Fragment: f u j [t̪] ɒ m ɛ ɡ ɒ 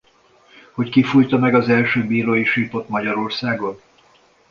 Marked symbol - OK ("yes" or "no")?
yes